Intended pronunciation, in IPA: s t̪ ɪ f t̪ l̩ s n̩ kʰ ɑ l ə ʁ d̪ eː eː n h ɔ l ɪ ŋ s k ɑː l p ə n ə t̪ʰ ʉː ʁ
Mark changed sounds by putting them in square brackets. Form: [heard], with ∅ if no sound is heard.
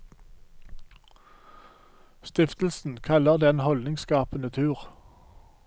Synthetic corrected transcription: s t̪ ɪ f t̪ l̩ s n̩ kʰ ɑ l ə ʁ d̪ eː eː n h ɔ l ɪ ŋ s k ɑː [∅] p ə n ə t̪ʰ ʉː ʁ